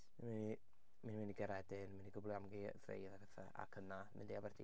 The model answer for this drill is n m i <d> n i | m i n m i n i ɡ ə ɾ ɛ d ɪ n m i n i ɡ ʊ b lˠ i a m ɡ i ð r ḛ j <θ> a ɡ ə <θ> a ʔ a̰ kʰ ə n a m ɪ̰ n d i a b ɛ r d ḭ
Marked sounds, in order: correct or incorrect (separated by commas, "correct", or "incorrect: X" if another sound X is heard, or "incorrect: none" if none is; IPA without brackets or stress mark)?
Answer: incorrect: none, incorrect: ð, correct